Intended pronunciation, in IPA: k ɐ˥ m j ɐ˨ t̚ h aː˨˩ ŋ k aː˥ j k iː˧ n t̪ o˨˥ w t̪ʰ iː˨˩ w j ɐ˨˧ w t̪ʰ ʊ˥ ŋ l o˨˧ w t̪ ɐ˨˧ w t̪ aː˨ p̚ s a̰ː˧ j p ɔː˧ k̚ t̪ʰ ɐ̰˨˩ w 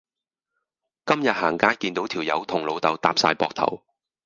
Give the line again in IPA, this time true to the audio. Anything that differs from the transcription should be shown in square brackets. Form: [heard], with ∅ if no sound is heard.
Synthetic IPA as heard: k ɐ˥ m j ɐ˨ t̚ h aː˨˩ ŋ k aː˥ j k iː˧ n t̪ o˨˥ w t̪ʰ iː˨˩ w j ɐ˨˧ w t̪ʰ [ʊ˨˩] ŋ l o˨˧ w t̪ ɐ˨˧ w t̪ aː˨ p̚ s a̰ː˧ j p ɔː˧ k̚ t̪ʰ ɐ̰˨˩ w